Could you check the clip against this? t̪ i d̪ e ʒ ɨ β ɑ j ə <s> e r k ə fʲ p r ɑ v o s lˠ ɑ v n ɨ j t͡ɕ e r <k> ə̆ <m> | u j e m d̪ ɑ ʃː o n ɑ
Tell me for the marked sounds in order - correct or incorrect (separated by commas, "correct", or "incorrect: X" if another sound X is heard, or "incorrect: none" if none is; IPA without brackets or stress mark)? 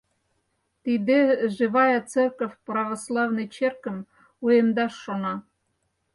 incorrect: t͡s, correct, correct